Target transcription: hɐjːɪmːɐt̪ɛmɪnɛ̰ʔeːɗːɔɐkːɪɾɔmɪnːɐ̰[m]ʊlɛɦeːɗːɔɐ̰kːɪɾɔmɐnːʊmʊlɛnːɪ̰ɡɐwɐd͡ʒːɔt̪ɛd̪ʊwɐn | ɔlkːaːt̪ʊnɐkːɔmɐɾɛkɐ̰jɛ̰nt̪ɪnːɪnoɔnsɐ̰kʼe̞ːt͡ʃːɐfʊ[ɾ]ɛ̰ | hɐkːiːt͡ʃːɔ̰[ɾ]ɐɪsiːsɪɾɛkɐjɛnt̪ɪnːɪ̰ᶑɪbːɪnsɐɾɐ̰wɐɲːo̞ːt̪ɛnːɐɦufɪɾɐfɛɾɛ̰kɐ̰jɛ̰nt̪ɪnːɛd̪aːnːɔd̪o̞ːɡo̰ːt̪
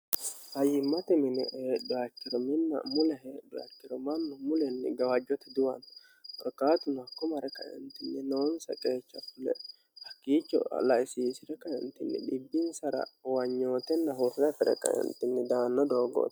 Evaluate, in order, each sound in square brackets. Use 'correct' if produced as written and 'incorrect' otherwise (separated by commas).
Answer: correct, incorrect, incorrect